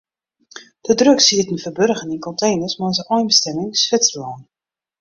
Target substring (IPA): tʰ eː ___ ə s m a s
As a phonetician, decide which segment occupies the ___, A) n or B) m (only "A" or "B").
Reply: A